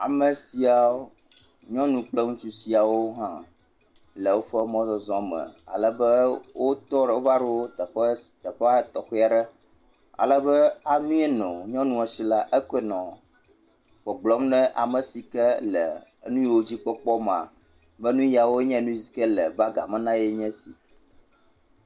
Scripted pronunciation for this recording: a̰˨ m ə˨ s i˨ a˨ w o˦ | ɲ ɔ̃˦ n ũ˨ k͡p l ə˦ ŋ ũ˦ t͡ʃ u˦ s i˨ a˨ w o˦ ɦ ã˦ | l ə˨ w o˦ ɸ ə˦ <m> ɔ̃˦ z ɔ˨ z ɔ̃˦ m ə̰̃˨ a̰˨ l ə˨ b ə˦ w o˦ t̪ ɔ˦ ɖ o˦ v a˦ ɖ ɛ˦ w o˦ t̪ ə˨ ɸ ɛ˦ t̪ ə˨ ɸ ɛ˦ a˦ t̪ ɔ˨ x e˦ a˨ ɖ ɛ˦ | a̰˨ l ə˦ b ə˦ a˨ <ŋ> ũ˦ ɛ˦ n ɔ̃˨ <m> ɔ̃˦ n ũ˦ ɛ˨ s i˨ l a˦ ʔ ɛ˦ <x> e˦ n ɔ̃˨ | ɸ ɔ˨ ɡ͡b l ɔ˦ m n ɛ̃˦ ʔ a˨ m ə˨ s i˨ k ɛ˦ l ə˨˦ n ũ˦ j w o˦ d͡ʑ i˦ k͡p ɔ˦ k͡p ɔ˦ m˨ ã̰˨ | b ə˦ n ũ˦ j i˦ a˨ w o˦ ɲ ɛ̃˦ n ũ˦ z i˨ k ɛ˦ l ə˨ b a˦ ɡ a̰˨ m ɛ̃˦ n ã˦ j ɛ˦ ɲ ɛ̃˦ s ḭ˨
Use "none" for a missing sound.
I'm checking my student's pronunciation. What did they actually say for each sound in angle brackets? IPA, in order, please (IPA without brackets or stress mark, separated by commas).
m, n, ɲ, k